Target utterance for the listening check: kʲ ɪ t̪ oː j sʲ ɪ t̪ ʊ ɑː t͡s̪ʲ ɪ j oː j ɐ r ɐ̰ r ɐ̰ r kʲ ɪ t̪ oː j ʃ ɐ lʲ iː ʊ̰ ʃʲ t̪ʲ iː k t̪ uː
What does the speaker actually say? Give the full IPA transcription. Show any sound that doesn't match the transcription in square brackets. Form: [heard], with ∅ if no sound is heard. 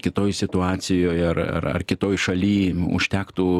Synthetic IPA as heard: kʲ ɪ t̪ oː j sʲ ɪ t̪ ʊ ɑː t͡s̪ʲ ɪ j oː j ɐ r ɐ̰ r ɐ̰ r kʲ ɪ t̪ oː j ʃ ɐ lʲ iː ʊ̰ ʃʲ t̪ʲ [æː] k t̪ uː